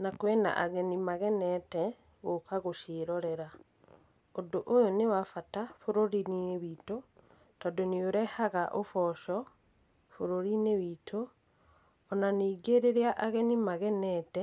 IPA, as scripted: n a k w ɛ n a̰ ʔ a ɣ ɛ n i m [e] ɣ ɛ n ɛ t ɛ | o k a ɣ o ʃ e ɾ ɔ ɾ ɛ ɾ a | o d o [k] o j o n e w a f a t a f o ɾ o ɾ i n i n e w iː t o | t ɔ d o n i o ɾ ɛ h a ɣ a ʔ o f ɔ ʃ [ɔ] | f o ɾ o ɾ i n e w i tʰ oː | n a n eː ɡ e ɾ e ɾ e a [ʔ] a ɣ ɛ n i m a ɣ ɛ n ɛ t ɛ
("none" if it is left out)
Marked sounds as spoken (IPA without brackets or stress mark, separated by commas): a, ʔ, ɔ, ʔ